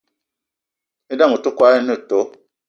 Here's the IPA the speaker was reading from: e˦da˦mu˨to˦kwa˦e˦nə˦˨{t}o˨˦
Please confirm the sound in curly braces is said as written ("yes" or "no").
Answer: yes